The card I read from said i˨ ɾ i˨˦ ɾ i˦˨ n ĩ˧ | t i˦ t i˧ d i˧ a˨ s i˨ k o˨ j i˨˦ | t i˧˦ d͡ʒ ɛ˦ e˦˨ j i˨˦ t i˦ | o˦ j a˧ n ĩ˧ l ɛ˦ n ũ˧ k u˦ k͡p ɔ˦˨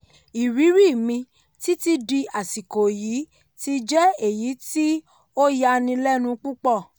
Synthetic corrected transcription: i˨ ɾ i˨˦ ɾ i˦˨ m ĩ˧ | t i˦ t i˧ d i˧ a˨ s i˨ k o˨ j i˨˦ | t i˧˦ d͡ʒ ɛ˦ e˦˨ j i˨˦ t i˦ | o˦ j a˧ n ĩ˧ l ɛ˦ n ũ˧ k͡p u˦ k͡p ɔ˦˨